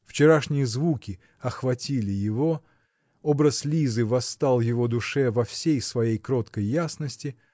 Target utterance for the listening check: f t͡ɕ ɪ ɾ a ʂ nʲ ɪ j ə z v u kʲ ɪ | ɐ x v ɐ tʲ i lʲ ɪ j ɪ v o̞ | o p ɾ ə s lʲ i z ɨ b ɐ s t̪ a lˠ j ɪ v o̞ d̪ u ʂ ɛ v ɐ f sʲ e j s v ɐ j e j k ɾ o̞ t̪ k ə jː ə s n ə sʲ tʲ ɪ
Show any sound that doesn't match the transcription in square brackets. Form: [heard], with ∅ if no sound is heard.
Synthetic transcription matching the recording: f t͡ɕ ɪ ɾ a ʂ nʲ ɪ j ə z v u kʲ ɪ | ɐ x v ɐ tʲ i lʲ ɪ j ɪ v o̞ | o [b] ɾ ə s lʲ i z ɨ [v] ɐ s t̪ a lˠ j ɪ v o̞ d̪ [ʊ] ʂ ɛ v ɐ f sʲ e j s v ɐ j e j k ɾ o̞ t̪ k ə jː [a] s n ə sʲ tʲ ɪ